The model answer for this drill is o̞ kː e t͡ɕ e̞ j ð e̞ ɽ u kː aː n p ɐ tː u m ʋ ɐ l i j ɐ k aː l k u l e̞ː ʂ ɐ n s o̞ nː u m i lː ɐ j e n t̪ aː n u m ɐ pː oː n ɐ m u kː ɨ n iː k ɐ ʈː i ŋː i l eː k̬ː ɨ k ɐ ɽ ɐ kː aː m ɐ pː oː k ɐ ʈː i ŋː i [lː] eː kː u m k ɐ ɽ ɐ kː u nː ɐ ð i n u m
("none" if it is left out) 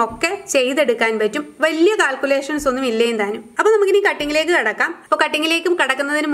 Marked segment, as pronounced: l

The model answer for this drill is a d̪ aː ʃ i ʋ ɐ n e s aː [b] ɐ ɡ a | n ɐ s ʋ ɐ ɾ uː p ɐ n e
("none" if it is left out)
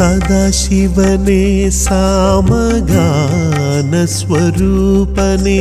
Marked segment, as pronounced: m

